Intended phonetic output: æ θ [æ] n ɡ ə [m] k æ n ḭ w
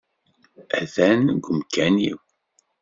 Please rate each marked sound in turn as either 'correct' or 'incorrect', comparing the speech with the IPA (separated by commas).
correct, correct